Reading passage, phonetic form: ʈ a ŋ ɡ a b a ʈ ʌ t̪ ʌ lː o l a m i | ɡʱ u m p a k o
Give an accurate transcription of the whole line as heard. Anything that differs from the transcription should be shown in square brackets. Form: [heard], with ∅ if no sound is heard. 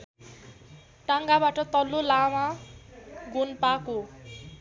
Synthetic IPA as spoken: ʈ a ŋ ɡ a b a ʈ ʌ t̪ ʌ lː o l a m [a] | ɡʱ u [n] p a k o